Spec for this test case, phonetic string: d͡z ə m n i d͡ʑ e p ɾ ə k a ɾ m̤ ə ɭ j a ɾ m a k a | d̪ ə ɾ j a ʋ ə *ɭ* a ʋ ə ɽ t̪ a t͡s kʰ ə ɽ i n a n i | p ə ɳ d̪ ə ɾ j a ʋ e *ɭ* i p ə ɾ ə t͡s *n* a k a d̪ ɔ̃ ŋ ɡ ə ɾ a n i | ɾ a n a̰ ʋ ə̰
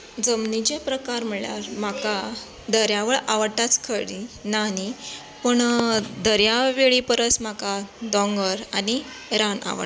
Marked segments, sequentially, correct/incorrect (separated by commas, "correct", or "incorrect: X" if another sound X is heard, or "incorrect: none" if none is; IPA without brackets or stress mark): correct, correct, incorrect: m